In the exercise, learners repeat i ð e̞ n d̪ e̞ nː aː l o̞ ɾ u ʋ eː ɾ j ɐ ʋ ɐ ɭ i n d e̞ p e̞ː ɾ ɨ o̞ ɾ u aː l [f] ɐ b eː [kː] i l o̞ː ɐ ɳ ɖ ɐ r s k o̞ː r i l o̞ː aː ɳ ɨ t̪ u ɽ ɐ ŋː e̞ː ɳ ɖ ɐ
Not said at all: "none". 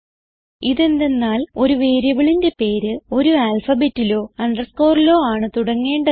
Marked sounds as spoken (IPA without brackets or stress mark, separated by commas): f, tː